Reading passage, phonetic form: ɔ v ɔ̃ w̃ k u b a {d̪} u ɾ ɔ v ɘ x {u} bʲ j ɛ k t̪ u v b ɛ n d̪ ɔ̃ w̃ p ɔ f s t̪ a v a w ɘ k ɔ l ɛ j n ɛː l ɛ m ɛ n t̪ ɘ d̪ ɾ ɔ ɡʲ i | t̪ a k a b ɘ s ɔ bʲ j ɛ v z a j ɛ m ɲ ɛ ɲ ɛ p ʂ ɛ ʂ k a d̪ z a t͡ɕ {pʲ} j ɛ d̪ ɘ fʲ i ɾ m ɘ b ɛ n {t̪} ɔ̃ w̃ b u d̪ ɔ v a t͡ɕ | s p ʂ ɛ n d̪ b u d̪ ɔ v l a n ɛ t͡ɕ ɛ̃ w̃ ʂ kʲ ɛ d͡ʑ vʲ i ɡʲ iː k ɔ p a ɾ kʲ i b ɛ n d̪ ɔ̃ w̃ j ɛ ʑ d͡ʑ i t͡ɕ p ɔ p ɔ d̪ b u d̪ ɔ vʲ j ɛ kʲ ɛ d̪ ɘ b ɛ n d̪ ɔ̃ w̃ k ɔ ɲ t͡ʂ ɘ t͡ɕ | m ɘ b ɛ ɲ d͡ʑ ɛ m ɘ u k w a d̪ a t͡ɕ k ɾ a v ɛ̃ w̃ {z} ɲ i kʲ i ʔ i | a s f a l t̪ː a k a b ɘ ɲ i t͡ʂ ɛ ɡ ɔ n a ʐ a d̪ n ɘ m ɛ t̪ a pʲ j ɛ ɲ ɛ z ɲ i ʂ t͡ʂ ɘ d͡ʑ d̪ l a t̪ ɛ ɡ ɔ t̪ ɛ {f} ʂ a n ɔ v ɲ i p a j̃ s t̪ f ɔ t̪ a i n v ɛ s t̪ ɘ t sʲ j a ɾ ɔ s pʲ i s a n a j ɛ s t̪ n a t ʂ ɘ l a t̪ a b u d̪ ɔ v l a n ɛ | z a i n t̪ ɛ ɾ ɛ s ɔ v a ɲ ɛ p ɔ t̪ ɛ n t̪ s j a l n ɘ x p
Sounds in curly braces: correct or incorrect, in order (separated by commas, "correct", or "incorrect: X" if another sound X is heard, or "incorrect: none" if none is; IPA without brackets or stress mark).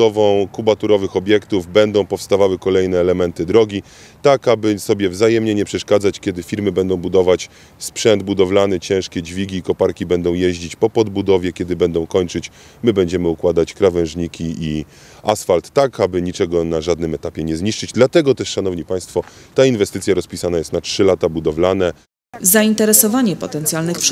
incorrect: t̪, incorrect: ɔ, incorrect: kʲ, incorrect: d̪, incorrect: ʐ, incorrect: ʂ